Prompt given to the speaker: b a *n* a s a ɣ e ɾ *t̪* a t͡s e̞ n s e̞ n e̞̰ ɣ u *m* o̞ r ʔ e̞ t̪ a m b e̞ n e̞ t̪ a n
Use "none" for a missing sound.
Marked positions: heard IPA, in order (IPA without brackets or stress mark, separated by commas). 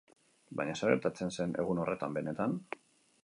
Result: ɲ, t̪, n